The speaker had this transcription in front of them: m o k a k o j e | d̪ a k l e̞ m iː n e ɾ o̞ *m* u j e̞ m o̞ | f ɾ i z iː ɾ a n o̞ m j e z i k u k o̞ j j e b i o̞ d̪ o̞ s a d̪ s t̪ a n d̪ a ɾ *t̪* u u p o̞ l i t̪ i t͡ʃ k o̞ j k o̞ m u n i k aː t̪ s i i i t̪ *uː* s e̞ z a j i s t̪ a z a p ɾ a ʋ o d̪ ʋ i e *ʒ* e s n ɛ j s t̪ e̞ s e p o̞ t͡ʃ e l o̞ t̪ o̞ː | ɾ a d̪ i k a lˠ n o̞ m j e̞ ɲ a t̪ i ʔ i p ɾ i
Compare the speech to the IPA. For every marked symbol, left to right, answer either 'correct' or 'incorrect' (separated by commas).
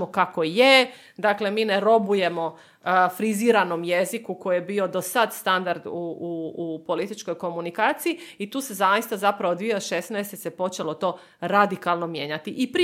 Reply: incorrect, incorrect, correct, incorrect